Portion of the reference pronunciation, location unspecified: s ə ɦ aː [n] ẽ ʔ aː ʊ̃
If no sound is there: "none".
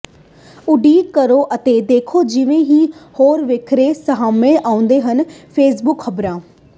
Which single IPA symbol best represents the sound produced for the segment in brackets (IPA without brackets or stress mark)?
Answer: m